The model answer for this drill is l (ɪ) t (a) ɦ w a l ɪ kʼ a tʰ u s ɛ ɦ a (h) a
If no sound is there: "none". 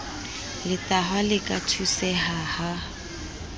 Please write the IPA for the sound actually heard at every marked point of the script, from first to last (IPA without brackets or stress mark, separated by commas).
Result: ɪ, a, h